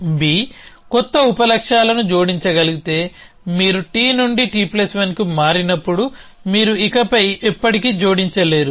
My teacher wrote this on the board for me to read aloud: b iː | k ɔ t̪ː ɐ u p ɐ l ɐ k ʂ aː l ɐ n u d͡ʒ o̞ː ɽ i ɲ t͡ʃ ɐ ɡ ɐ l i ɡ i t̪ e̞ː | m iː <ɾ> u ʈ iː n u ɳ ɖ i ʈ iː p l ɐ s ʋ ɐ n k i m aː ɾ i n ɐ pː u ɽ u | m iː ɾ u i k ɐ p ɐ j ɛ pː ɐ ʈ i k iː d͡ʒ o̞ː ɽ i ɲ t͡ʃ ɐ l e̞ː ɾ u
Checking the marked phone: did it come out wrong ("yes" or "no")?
no